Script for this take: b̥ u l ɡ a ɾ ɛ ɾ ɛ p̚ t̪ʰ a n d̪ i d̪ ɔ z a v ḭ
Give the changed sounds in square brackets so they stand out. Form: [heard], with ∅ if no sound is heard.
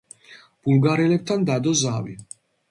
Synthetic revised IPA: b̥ u l ɡ a ɾ ɛ [l] ɛ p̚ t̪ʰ a n d̪ [a] d̪ ɔ z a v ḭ